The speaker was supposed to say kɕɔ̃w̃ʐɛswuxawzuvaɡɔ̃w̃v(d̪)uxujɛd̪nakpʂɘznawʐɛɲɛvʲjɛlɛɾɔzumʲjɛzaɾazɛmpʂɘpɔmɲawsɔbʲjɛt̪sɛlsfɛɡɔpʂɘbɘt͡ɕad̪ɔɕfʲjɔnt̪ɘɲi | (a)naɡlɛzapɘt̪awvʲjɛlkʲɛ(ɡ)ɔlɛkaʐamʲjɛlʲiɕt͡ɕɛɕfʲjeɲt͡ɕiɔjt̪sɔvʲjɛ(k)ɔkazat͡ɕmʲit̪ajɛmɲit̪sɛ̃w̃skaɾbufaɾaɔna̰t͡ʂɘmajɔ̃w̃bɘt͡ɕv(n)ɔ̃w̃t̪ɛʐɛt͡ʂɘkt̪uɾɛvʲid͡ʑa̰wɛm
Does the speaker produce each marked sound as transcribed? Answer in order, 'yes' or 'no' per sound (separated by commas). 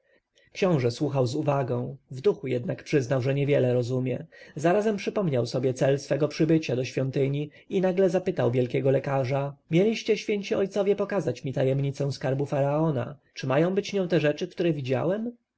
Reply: yes, no, yes, no, no